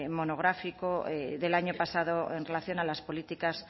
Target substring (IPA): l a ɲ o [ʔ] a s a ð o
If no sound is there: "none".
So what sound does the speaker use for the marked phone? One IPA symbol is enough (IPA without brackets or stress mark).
p